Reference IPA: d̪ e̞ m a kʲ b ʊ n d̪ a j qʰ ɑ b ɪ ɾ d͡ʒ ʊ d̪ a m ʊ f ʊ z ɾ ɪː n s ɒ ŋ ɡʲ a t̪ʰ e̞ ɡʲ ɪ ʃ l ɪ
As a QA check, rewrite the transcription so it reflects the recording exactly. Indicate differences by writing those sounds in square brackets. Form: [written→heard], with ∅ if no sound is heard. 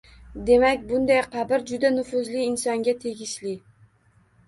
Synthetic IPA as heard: d̪ e̞ m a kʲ b ʊ n d̪ a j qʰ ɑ b ɪ ɾ d͡ʒ ʊ d̪ a [m→n] ʊ f ʊ z [ɾ→l] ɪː n s ɒ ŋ ɡʲ a t̪ʰ e̞ ɡʲ ɪ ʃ l ɪ